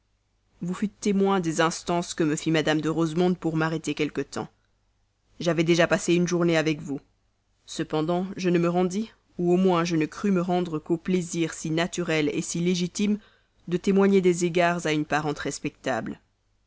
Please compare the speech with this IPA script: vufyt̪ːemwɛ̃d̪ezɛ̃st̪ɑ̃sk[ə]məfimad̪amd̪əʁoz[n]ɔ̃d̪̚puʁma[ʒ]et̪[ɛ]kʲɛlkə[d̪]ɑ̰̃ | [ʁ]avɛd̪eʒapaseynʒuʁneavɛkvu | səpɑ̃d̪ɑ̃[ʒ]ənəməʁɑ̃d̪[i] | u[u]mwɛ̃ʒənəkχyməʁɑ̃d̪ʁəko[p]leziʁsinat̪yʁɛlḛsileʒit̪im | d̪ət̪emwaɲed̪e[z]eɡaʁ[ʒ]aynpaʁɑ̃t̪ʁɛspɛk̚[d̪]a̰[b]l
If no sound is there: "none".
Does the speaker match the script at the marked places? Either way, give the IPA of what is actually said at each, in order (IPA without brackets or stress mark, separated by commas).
ə, m, ʁ, e, t̪, ʒ, ʒ, i, o, p, z, z, t̪, b